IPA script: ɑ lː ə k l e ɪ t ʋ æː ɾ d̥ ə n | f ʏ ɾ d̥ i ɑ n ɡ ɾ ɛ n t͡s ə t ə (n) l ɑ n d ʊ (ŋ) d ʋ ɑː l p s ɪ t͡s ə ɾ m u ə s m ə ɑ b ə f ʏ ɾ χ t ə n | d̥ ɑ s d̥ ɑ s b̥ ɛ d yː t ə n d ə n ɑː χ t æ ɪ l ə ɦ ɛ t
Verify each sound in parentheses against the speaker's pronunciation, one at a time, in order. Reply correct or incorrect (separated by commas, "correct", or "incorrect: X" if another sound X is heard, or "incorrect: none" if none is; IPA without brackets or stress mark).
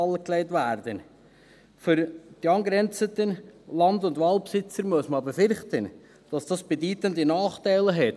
correct, incorrect: n